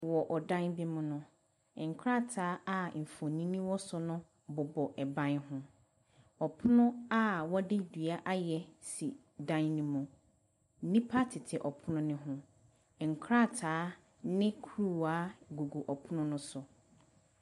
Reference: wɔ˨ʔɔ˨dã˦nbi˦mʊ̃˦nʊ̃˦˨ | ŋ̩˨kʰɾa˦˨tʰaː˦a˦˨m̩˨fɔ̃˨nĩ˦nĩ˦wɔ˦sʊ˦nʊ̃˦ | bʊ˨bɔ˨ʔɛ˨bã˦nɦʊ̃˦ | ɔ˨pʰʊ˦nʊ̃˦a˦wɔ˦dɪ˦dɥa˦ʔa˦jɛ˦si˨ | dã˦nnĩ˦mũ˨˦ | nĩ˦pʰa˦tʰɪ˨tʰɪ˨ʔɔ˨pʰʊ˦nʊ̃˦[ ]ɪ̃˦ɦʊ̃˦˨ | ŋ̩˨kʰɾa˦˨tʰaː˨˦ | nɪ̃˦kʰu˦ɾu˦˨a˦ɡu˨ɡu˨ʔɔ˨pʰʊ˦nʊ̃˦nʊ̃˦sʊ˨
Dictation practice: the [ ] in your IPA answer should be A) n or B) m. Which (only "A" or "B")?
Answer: A